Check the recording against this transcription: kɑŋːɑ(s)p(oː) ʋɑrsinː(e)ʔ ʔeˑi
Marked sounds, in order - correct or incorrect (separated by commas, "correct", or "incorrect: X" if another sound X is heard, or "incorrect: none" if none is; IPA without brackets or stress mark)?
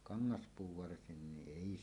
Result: correct, incorrect: uː, incorrect: i